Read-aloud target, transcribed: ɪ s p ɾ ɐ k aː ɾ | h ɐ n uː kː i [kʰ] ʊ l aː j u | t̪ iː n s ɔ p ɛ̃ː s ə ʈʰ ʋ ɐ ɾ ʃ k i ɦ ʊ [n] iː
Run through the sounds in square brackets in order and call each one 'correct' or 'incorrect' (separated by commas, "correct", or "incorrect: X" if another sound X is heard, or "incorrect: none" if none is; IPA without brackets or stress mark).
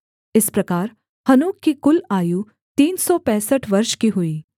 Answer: incorrect: k, incorrect: none